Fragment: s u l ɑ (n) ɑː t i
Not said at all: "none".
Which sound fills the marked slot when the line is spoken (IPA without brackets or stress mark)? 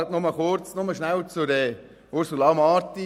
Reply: m